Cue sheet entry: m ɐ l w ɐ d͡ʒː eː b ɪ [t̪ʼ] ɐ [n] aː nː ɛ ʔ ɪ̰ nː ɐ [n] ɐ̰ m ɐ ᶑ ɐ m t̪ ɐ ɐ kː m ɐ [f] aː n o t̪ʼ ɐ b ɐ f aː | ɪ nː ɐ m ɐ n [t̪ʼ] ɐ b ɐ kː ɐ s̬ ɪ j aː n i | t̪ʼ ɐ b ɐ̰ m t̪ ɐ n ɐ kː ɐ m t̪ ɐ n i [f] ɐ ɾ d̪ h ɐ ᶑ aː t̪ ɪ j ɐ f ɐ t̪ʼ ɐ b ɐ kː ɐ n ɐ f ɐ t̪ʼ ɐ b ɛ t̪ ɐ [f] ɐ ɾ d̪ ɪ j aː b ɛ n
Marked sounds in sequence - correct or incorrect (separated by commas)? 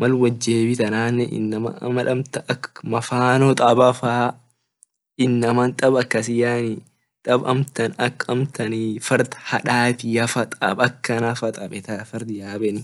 incorrect, correct, incorrect, correct, correct, correct, correct